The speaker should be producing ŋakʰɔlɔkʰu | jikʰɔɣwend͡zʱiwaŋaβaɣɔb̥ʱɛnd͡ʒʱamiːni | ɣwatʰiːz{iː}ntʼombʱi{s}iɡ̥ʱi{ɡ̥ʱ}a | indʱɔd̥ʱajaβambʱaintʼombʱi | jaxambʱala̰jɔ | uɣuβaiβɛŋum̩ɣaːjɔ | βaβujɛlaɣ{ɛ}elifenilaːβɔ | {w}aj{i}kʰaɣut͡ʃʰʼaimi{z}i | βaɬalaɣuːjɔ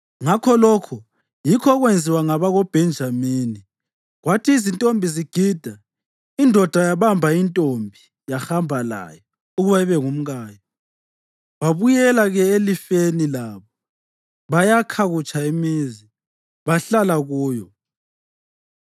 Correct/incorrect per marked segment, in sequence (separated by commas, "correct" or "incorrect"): incorrect, incorrect, incorrect, correct, incorrect, incorrect, correct